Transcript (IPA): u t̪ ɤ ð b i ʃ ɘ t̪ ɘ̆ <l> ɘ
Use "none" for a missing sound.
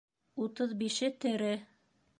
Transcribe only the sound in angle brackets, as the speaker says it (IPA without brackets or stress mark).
ɾ